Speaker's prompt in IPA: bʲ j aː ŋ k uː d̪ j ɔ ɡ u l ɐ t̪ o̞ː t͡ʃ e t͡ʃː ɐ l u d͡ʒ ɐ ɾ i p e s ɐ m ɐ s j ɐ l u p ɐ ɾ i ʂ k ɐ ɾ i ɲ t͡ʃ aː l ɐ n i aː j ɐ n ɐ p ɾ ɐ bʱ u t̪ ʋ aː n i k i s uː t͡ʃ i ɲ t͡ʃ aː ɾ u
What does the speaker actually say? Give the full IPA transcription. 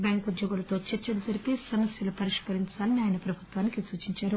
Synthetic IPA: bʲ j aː ŋ k u d̪ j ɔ ɡ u l ɐ t̪ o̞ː t͡ʃ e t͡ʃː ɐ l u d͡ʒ ɐ ɾ i p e s ɐ m ɐ s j ɐ l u p ɐ ɾ i ʂ k ɐ ɾ i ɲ t͡ʃ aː l ɐ n i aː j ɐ n ɐ p ɾ ɐ bʱ u t̪ ʋ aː n i k i s uː t͡ʃ i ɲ t͡ʃ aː ɾ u